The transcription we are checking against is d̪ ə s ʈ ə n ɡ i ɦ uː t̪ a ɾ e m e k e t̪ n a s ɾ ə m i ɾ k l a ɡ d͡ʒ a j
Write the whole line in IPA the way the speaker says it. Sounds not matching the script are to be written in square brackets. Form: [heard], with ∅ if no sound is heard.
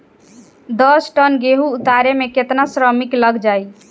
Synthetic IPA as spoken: d̪ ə s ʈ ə n ɡ [e] ɦ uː t̪ a ɾ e m e k e t̪ n a s ɾ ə m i [∅] k l [ə] ɡ d͡ʒ a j